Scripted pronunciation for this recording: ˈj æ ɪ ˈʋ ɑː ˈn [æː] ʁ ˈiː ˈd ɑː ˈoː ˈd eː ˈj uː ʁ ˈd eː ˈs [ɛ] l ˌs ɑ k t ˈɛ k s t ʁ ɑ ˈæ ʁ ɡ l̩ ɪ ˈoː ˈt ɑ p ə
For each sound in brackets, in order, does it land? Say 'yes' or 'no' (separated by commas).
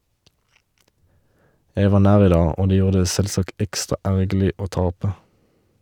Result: yes, yes